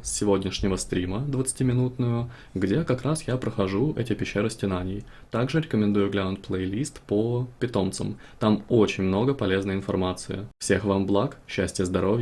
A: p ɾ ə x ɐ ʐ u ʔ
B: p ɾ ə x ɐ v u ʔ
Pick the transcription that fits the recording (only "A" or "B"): A